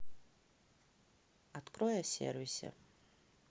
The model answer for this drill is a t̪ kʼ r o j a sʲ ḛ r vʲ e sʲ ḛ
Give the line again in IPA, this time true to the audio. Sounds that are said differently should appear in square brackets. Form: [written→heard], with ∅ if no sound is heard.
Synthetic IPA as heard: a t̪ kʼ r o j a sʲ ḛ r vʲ [e→i] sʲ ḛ